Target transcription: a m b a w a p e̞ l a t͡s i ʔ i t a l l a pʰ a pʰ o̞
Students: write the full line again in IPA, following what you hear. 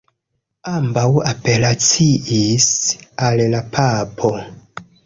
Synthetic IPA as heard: a m b a w a p e̞ l a t͡s i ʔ i s a l l a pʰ a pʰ o̞

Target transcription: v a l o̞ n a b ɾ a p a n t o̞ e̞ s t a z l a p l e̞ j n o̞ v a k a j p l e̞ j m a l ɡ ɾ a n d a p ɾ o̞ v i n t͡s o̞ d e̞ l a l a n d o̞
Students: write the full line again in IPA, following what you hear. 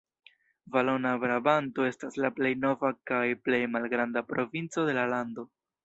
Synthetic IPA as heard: v a l o̞ n a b ɾ a b a n t o̞ e̞ s t a s l a p l e̞ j n o̞ v a k a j p l e̞ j m a l ɡ ɾ a n d a p ɾ o̞ v i n t͡s o̞ d e̞ l a l a n d o̞

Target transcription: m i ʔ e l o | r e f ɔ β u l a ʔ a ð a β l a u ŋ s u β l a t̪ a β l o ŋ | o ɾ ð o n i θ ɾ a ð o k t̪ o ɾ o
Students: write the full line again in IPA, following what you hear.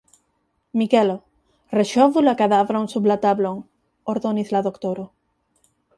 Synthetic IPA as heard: m i k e l o | r e ʃ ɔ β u l a k a ð a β ɾ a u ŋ s u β l a t̪ a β l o ŋ | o ɾ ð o n i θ l a ð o k t̪ o ɾ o

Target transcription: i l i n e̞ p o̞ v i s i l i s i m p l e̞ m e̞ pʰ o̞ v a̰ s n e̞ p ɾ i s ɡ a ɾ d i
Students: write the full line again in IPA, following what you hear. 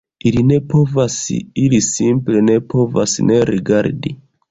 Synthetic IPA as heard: i l i n e̞ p o̞ v a s i l i s i m p l e̞ n e̞ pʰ o̞ v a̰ s n e̞ ɾ i ɡ a ɾ d i

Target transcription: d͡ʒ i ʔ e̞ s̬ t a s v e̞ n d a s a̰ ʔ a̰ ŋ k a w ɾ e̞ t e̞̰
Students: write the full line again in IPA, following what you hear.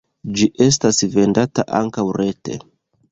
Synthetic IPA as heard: d͡ʒ i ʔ e̞ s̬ t a s v e̞ n d a t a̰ ʔ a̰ ŋ k a w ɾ e̞ t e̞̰

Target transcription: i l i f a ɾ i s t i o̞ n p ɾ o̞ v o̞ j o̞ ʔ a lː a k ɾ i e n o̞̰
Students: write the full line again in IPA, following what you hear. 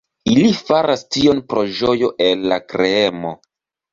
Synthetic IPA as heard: i l i f a ɾ a s t i o̞ n p ɾ o̞ ʒ o̞ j o̞ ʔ e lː a k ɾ e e m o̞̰

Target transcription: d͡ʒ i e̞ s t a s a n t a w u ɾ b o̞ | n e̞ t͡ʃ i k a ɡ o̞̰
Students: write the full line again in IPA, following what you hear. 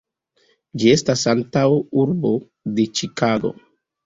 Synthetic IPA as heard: d͡ʒ i e̞ s t a s a n t a w u ɾ b o̞ | d e̞ t͡ʃ i k a ɡ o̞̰

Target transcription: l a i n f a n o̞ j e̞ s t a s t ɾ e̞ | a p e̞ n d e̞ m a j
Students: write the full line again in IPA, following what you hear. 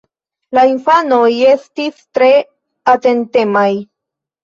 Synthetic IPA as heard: l a i n f a n o̞ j e̞ s t i s t ɾ e̞ | a t e̞ n t e̞ m a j

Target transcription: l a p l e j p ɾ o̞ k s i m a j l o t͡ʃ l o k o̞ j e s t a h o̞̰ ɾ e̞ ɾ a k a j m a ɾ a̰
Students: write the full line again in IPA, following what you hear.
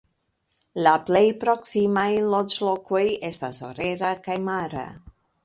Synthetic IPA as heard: l a p l e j p ɾ o̞ k s i m a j l o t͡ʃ l o k o̞ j e s t a s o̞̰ ɾ e̞ ɾ a k a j m a ɾ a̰

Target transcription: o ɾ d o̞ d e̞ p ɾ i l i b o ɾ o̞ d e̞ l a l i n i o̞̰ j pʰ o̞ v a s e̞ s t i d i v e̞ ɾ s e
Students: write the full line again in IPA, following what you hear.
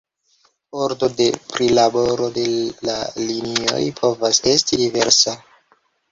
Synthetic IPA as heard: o ɾ d o̞ d e̞ p ɾ i l a b o ɾ o̞ d e̞ l a l i n i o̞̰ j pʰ o̞ v a s e̞ s t i d i v e̞ ɾ s a

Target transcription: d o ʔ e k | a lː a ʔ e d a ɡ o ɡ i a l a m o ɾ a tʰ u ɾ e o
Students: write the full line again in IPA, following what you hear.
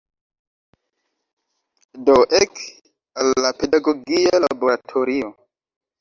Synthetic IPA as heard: d o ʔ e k | a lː a p e d a ɡ o ɡ i a l a b o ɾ a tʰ o ɾ i o

